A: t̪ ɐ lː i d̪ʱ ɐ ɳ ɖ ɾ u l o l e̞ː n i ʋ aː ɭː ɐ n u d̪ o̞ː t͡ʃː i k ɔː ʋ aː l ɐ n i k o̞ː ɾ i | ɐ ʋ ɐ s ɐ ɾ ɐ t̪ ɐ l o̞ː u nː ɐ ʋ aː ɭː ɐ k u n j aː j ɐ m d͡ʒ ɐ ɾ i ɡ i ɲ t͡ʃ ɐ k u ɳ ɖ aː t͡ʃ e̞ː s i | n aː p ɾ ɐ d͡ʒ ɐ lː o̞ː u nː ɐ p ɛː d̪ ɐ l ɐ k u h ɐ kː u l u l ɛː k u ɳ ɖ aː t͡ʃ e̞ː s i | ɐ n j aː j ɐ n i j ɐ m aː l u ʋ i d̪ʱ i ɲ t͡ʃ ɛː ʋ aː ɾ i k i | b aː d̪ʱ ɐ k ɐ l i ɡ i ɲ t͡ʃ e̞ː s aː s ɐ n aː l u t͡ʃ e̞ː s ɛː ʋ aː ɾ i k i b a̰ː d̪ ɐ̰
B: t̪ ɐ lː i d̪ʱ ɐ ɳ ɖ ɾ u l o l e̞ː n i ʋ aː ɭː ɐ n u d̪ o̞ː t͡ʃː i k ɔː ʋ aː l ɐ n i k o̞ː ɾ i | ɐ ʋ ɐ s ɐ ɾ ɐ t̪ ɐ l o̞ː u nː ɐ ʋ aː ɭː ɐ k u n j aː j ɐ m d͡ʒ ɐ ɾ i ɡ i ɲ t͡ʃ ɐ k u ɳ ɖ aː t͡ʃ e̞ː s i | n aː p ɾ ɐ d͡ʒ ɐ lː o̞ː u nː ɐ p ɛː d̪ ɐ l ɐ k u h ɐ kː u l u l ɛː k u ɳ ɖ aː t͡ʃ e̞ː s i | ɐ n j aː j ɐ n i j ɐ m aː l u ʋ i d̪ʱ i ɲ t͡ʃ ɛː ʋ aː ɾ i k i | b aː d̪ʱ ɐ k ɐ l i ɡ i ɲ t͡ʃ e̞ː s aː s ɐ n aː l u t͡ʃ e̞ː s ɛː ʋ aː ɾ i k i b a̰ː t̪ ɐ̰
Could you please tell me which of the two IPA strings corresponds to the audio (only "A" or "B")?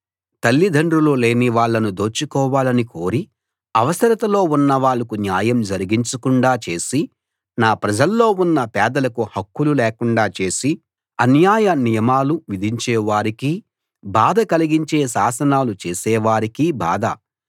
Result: A